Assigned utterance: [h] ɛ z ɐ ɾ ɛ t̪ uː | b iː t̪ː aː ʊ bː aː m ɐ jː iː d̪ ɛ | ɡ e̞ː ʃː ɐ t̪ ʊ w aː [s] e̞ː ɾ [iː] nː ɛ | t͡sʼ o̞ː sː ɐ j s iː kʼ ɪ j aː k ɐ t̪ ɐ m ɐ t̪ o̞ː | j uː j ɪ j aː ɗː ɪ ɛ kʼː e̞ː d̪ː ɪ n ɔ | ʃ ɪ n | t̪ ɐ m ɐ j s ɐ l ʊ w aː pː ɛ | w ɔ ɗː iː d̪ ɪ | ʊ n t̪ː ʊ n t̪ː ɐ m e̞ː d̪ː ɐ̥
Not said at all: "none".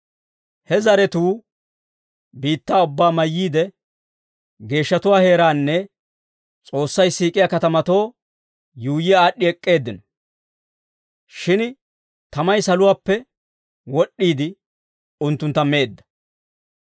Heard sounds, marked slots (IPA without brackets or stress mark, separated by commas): h, h, aː